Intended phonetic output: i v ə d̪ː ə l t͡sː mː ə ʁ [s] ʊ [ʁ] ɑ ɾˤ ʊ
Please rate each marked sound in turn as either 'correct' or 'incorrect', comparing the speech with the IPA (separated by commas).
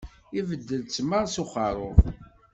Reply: correct, incorrect